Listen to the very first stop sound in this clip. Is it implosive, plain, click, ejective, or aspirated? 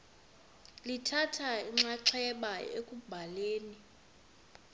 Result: aspirated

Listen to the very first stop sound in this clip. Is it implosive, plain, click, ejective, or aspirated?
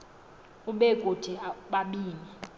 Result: implosive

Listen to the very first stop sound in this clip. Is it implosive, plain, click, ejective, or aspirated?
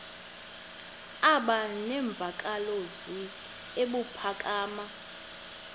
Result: implosive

